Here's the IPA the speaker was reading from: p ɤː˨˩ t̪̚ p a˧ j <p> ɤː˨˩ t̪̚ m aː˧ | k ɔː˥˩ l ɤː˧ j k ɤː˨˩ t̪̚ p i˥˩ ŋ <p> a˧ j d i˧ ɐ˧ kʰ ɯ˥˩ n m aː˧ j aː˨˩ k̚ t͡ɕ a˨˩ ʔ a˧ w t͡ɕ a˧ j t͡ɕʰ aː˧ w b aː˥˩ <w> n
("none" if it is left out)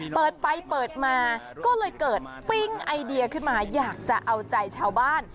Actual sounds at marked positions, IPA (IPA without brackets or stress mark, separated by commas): p, ʔ, none